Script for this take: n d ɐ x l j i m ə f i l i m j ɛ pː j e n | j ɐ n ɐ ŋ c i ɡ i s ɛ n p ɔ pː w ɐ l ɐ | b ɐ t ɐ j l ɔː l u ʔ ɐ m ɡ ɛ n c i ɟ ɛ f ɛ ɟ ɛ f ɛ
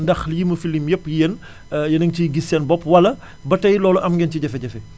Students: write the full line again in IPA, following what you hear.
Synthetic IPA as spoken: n d ɐ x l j i m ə f i l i m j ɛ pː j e n | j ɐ n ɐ ŋ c i ɡ i s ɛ n b ɔ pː w ɐ l ɐ | b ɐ t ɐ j l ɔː l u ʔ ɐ m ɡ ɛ n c i ɟ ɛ f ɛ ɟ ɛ f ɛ